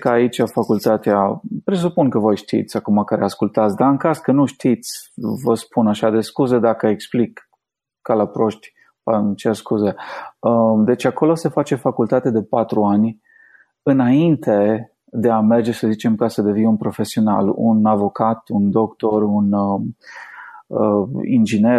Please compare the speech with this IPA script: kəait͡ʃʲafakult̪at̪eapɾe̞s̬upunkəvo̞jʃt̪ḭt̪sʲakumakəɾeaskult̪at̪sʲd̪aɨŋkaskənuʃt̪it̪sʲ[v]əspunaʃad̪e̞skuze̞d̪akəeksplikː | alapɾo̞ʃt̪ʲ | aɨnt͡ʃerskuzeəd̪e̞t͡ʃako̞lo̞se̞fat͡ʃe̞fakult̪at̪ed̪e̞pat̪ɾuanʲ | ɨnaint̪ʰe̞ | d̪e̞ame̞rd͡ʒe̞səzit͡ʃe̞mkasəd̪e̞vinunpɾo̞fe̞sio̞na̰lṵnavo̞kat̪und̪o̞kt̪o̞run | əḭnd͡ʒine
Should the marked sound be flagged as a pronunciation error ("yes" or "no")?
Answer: no